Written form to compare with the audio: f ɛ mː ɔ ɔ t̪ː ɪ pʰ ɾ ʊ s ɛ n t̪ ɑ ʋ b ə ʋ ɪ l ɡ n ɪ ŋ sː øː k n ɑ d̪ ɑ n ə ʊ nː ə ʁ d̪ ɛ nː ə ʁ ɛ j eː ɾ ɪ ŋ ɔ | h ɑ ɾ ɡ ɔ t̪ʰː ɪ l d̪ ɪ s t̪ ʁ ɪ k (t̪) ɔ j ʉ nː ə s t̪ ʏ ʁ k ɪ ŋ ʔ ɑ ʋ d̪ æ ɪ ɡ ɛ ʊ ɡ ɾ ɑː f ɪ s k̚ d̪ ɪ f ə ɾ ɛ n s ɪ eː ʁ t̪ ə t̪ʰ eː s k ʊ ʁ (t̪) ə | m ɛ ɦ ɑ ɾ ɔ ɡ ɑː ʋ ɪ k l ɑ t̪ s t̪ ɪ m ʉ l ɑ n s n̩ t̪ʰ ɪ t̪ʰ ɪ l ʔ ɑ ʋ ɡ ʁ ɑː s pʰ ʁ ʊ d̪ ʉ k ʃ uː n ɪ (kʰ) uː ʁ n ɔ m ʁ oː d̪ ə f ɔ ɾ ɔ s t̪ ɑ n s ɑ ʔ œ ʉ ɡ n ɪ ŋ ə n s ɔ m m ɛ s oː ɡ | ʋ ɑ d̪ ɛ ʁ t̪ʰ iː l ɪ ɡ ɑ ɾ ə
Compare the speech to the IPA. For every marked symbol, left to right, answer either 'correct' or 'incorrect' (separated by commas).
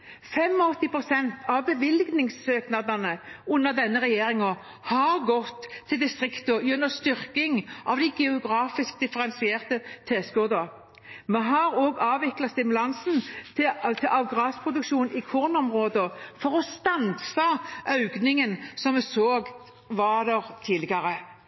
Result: correct, incorrect, correct